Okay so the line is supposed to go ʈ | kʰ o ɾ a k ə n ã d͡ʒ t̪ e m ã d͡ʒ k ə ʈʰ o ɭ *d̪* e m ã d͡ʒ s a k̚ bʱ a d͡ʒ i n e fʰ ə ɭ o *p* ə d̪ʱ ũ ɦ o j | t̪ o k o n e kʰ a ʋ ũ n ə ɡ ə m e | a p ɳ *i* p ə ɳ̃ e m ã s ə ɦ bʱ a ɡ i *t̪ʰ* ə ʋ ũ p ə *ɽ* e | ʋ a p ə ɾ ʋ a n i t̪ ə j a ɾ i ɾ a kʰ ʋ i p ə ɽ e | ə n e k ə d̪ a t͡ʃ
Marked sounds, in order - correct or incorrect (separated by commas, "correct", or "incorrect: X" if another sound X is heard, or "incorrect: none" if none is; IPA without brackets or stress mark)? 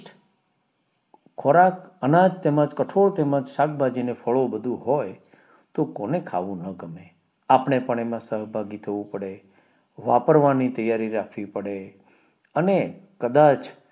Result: incorrect: t̪, incorrect: b, incorrect: e, correct, correct